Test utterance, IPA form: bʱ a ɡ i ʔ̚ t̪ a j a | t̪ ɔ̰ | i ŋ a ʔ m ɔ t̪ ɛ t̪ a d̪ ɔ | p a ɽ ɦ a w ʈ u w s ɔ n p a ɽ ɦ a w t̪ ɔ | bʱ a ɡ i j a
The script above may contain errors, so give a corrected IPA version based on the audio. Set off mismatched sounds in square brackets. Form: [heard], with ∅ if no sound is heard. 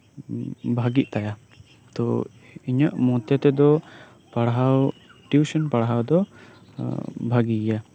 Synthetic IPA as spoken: bʱ a ɡ i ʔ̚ t̪ a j a | t̪ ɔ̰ | i [ɲ] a ʔ m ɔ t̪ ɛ t̪ [ɛ] d̪ ɔ | p a ɽ ɦ a w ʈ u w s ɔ n p a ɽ ɦ a w [d̪] ɔ | bʱ a ɡ i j a